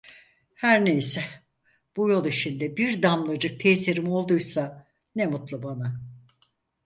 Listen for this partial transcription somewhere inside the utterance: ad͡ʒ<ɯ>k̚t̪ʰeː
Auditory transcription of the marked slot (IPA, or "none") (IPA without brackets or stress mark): ɯ